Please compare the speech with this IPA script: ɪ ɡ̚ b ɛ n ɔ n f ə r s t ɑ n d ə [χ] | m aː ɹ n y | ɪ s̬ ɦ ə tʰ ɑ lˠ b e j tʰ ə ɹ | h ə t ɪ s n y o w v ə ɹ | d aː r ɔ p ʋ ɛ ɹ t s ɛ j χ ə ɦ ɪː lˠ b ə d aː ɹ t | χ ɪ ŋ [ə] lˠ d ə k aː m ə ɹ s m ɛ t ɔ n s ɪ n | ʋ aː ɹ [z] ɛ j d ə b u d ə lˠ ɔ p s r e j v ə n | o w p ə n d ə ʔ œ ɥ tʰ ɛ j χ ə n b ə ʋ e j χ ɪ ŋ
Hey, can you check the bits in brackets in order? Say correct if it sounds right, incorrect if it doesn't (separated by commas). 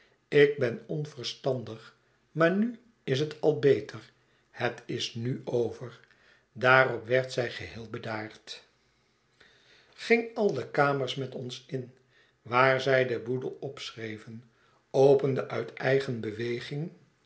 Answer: correct, incorrect, correct